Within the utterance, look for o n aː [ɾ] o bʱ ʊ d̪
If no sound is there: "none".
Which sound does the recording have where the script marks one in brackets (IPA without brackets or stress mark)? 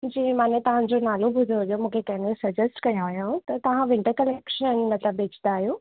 l